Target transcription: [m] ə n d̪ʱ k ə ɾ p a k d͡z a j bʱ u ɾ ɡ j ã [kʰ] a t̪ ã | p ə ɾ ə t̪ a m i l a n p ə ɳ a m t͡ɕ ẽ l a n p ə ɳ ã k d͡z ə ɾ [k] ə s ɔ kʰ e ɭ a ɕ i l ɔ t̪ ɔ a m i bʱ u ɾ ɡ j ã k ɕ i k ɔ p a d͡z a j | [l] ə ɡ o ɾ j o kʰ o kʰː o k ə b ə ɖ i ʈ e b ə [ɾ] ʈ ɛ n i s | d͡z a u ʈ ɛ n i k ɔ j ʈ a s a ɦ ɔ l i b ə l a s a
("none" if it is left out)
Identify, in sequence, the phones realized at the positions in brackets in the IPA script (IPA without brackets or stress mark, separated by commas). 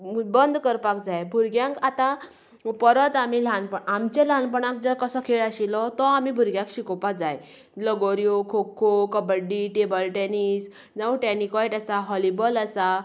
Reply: b, k, k, l, l